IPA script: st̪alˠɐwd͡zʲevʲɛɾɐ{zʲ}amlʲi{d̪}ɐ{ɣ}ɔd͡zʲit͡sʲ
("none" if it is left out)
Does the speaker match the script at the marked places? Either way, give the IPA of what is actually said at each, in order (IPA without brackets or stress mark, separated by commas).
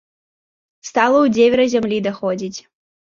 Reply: zʲ, d̪, x